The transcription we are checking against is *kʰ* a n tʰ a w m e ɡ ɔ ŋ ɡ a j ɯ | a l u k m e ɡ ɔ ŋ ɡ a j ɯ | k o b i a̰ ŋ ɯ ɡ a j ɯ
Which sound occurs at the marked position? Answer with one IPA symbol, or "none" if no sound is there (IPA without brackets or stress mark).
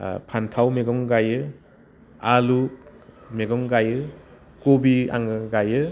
pʰ